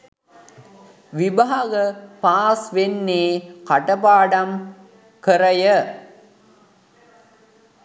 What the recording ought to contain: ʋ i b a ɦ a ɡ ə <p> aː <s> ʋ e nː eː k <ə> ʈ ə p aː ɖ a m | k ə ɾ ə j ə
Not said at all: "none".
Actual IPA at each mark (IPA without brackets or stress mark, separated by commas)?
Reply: p, s, a